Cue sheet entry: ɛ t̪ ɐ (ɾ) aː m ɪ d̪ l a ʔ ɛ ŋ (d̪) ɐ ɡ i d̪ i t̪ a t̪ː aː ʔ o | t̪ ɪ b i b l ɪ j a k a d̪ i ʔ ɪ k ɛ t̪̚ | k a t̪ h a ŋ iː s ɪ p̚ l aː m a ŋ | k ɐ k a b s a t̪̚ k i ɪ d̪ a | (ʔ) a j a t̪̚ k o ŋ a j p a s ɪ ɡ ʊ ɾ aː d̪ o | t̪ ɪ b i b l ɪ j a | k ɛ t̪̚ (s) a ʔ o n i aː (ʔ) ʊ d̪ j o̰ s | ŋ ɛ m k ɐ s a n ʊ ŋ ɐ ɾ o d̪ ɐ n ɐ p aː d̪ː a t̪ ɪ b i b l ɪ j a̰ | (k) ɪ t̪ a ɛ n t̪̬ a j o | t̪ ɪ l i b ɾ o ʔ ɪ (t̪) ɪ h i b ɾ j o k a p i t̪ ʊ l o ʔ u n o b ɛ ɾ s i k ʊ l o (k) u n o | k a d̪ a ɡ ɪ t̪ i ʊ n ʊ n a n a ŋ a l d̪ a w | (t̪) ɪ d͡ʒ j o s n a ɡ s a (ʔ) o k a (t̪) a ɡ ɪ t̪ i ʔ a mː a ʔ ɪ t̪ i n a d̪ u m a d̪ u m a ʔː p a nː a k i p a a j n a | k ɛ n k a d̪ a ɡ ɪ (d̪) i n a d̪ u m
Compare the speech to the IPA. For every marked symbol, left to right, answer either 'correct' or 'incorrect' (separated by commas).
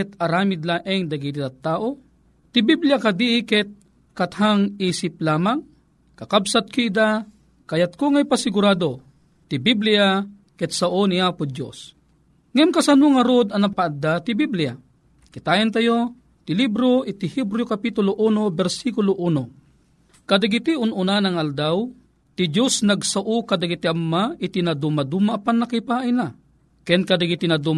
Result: correct, correct, incorrect, correct, incorrect, correct, correct, incorrect, correct, correct, incorrect, incorrect